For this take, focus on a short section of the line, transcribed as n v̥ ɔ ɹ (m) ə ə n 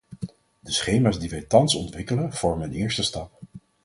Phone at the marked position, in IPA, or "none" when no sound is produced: m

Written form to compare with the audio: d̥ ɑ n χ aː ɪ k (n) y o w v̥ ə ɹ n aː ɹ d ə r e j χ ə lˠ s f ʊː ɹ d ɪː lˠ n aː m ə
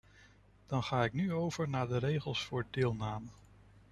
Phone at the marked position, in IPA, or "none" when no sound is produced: n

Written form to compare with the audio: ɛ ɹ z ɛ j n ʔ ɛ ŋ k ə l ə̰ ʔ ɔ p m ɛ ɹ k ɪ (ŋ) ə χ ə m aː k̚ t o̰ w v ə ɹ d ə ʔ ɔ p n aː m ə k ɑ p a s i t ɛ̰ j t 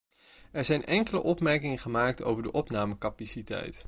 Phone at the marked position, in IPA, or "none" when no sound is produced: ŋ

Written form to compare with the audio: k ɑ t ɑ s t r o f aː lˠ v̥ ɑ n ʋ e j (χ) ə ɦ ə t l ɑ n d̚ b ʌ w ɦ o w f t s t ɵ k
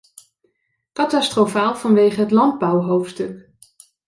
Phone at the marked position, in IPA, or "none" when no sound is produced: χ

